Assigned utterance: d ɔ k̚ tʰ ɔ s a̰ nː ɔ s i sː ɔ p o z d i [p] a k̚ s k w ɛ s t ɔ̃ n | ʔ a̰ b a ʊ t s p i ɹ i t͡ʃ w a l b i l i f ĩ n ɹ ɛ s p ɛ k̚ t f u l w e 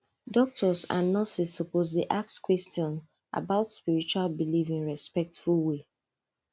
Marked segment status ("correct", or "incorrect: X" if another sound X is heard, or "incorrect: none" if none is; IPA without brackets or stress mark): incorrect: ʔ